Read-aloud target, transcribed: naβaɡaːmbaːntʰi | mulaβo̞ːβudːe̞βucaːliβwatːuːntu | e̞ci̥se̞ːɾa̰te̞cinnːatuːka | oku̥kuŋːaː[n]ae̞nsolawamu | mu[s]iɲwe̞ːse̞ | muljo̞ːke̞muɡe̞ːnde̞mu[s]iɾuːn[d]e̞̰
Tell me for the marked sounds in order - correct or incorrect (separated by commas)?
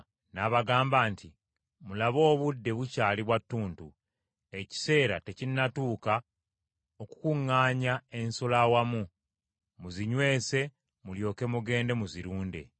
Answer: incorrect, incorrect, incorrect, correct